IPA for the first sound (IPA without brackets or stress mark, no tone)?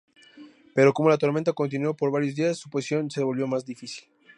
p